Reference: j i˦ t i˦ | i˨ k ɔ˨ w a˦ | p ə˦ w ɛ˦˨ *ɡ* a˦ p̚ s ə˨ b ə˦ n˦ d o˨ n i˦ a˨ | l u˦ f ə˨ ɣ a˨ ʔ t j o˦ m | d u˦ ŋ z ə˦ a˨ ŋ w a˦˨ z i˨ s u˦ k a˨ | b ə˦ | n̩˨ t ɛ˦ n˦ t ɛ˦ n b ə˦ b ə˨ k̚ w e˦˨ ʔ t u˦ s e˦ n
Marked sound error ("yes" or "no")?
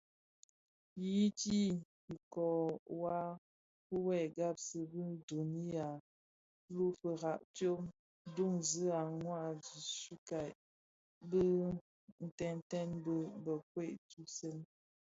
no